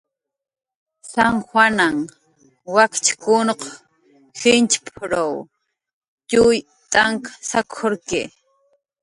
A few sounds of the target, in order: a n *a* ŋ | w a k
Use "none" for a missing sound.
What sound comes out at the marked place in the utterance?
a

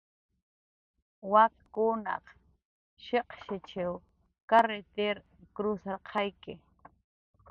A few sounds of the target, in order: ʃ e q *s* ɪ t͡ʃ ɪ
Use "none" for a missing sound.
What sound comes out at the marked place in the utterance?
ʃ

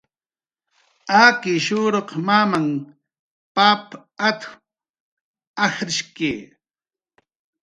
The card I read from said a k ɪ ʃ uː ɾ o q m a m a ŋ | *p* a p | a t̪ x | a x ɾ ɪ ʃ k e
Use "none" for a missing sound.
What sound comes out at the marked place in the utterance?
p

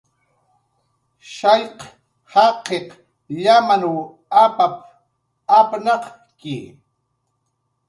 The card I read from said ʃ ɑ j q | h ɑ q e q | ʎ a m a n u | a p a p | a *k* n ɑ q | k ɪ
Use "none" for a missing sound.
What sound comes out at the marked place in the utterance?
p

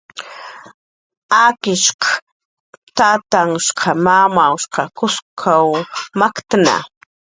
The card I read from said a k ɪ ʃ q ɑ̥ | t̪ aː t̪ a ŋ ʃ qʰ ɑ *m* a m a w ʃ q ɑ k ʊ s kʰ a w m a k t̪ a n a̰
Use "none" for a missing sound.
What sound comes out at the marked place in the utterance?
m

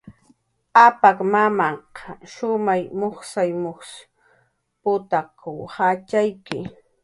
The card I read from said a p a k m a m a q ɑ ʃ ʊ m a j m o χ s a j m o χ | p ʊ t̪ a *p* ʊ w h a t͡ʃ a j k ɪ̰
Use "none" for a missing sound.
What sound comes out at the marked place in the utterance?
k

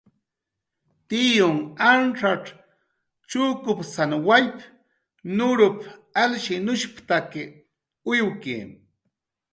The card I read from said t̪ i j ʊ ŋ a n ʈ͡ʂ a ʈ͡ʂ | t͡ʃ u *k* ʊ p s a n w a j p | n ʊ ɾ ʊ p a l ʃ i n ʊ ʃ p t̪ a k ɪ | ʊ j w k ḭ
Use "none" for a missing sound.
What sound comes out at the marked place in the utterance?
k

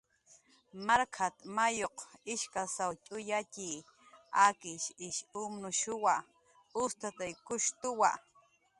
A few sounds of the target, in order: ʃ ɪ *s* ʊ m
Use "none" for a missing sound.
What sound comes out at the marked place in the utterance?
ʃ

